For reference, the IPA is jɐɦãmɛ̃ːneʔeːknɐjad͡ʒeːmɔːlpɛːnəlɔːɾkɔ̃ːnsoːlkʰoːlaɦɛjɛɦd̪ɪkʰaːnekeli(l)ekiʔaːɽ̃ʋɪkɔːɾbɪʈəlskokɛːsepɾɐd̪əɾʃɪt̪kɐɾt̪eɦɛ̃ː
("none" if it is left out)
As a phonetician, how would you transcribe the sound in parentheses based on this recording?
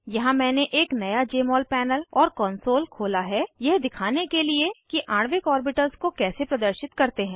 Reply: none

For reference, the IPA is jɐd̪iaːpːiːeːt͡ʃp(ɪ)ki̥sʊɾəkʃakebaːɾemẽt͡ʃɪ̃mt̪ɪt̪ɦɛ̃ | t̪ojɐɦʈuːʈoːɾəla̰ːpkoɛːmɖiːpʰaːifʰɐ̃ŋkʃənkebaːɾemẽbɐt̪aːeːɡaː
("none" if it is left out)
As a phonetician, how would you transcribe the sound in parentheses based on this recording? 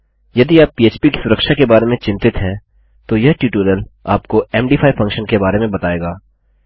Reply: i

